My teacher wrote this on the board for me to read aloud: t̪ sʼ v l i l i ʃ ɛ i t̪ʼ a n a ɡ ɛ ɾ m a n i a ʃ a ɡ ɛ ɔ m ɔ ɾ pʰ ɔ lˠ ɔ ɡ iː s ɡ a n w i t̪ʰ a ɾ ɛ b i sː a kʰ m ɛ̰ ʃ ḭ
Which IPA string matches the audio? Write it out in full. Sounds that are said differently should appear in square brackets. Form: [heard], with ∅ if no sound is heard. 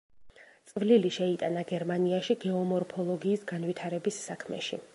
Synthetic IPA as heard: t̪ sʼ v l i l i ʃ ɛ i t̪ʼ a n a ɡ ɛ ɾ m a n i a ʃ [i] ɡ ɛ ɔ m ɔ ɾ pʰ ɔ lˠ ɔ ɡ iː s ɡ a n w i t̪ʰ a ɾ ɛ b i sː a kʰ m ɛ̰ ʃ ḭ